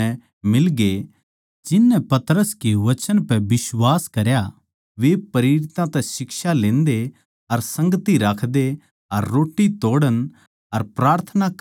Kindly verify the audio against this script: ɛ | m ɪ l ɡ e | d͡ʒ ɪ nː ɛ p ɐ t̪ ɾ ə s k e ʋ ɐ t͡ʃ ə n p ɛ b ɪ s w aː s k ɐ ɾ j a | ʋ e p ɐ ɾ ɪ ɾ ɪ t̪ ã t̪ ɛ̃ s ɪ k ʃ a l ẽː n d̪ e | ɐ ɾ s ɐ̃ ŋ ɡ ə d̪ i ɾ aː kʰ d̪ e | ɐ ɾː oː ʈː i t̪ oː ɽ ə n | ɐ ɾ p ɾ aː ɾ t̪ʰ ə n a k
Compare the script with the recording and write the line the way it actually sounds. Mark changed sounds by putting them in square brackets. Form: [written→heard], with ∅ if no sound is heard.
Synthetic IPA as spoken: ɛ | m ɪ l ɡ e | d͡ʒ ɪ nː ɛ p ɐ t̪ ɾ ə s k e ʋ ɐ t͡ʃ ə n p ɛ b ɪ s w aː s k ɐ ɾ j a | ʋ e p ɐ ɾ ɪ ɾ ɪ t̪ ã t̪ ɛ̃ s ɪ k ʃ a l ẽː n d̪ e | ɐ ɾ s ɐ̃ ŋ ɡ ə [d̪→t̪] i ɾ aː kʰ d̪ e | ɐ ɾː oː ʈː i t̪ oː ɽ ə n | ɐ ɾ p ɾ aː ɾ t̪ʰ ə n a k

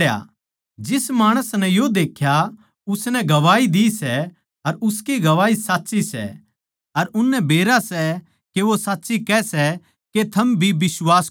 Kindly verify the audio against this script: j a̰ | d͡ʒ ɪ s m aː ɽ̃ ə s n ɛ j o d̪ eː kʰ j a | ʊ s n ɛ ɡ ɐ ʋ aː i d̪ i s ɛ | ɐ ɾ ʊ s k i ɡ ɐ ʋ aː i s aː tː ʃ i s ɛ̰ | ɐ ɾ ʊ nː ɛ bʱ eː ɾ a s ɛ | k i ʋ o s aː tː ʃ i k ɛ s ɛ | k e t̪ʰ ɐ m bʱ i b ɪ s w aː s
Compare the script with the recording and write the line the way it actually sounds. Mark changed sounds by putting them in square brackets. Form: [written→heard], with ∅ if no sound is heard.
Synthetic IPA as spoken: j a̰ | d͡ʒ ɪ s m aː ɽ̃ ə s n ɛ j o d̪ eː kʰ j a | ʊ s n ɛ ɡ ɐ ʋ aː i d̪ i s ɛ | ɐ ɾ ʊ s k i ɡ ɐ ʋ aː i s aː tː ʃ i s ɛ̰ | ɐ ɾ ʊ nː ɛ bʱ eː ɾ a s ɛ | k [i→e] ʋ o s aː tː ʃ i k ɛ s ɛ | k e t̪ʰ ɐ m bʱ i b ɪ s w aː s

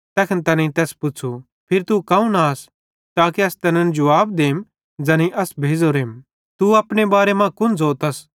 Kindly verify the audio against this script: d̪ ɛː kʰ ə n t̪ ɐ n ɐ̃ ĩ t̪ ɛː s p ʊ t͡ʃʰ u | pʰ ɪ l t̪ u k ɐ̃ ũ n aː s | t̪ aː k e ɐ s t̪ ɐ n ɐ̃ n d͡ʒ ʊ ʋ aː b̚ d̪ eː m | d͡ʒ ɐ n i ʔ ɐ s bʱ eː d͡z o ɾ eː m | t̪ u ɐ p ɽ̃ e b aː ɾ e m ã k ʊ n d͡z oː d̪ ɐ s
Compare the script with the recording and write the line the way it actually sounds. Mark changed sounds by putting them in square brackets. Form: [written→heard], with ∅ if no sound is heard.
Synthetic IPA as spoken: [d̪→t̪] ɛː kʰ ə n t̪ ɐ n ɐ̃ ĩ t̪ ɛː s p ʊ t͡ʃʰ u | pʰ ɪ [l→ɾ] t̪ u k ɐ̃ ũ n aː s | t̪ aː k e ɐ s t̪ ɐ n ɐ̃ n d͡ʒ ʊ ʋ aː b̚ d̪ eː m | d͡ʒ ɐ n i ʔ ɐ s bʱ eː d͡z o ɾ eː m | t̪ u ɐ p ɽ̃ e b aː ɾ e m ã k ʊ n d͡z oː [d̪→t̪] ɐ s

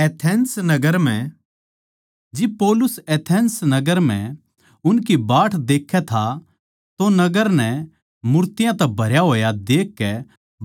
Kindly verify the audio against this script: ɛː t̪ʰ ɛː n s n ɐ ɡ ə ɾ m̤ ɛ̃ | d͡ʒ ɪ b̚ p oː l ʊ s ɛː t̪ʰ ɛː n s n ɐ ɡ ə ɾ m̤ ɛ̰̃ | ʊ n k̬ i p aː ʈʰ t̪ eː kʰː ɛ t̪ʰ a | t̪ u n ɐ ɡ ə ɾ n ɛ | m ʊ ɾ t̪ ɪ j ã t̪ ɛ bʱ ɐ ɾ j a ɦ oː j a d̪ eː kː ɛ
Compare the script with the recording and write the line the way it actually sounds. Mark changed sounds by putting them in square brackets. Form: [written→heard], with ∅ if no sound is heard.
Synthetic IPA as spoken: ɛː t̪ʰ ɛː n s n ɐ ɡ ə ɾ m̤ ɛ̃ | d͡ʒ ɪ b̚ p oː l ʊ s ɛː t̪ʰ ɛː n s n ɐ ɡ ə ɾ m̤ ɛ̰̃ | ʊ n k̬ i [p→b] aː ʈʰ [t̪→d̪] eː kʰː ɛ t̪ʰ a | t̪ [u→o] n ɐ ɡ ə ɾ n ɛ | m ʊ ɾ t̪ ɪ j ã t̪ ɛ bʱ ɐ ɾ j a ɦ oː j a d̪ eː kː ɛ

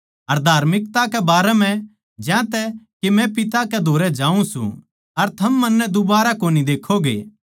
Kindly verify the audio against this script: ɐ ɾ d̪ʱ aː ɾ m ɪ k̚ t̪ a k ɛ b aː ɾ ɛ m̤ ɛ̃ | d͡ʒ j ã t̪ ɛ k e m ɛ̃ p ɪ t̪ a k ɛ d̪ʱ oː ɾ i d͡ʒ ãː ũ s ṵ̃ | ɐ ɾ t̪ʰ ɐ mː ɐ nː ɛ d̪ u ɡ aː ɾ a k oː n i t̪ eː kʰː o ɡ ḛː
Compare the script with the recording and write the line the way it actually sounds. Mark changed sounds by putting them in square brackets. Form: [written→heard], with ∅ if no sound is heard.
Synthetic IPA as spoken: ɐ ɾ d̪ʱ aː ɾ m ɪ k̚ t̪ a k ɛ b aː ɾ ɛ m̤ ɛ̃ | d͡ʒ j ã t̪ ɛ k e m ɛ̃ p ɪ t̪ a k ɛ d̪ʱ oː ɾ [i→ɛ] d͡ʒ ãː ũ s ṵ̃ | ɐ ɾ t̪ʰ ɐ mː ɐ nː ɛ d̪ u [ɡ→b] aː ɾ a k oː n i [t̪→d̪] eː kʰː o ɡ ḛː

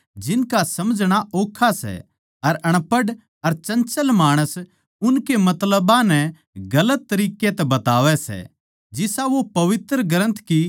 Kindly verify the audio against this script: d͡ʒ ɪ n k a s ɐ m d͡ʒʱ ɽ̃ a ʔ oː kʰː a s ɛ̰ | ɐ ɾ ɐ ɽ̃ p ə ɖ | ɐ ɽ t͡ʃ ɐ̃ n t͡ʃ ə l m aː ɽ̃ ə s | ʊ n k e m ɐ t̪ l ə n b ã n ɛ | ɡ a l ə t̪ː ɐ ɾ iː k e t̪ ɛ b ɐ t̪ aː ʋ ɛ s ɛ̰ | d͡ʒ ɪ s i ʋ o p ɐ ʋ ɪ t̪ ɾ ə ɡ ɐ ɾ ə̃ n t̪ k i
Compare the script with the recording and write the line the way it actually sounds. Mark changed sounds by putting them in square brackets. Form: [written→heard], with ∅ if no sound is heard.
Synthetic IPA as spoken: d͡ʒ ɪ n k a s ɐ m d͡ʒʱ ɽ̃ a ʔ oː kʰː a s ɛ̰ | ɐ ɾ ɐ ɽ̃ p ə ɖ | ɐ [ɽ→ɾ] t͡ʃ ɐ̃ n t͡ʃ ə l m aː ɽ̃ ə s | ʊ n k e m ɐ t̪ l ə [n→∅] b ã n ɛ | ɡ [a→ɐ] l ə t̪ː ɐ ɾ iː k e t̪ ɛ b ɐ t̪ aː ʋ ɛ s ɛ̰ | d͡ʒ ɪ s [i→a] ʋ o p ɐ ʋ ɪ t̪ ɾ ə ɡ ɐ ɾ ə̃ n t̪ k i

